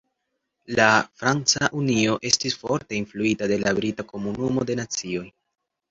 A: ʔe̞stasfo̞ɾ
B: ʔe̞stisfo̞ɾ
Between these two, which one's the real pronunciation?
B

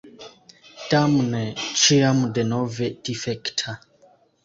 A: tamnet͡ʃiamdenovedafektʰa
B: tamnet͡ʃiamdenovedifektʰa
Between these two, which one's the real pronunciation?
B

